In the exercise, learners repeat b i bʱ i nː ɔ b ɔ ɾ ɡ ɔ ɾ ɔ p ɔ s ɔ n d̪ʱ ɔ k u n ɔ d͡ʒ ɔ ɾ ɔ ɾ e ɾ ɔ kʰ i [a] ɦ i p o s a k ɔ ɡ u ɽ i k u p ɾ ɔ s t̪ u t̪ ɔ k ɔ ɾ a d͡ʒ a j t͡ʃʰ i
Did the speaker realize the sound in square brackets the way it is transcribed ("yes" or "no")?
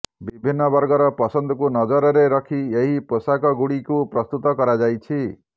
no